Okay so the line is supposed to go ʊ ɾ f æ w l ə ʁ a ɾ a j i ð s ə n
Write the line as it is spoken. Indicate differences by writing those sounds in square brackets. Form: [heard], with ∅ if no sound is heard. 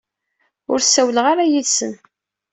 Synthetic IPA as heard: ʊ ɾ [s] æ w l ə ʁ a ɾ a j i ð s ə n